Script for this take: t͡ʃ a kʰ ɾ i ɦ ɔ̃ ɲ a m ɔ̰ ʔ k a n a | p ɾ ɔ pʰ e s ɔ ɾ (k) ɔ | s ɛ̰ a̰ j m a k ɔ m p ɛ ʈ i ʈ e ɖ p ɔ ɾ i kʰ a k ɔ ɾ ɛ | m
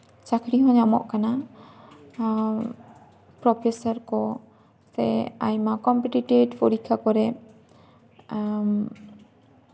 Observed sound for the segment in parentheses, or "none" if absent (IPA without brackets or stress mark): k